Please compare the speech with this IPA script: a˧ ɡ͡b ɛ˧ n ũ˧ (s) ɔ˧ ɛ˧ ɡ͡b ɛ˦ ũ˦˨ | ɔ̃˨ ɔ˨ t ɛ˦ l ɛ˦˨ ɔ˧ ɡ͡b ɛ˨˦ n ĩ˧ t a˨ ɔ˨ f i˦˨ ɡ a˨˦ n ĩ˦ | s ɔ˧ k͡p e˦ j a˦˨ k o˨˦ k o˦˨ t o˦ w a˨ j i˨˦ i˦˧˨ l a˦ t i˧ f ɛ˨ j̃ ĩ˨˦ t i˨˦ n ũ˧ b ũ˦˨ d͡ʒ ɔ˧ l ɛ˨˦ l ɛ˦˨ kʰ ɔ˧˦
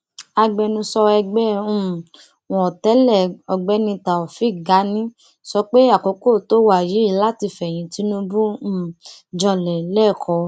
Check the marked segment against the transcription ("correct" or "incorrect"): correct